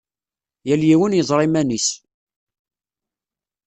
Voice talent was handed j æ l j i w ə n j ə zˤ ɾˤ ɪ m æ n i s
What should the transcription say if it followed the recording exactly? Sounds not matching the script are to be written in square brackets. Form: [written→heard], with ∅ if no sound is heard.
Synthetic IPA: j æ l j i w ə n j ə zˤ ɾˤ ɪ m æ n i s